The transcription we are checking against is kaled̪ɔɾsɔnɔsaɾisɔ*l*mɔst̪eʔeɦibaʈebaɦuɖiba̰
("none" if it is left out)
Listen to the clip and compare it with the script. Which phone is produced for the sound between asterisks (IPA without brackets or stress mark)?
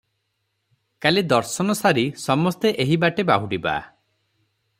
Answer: none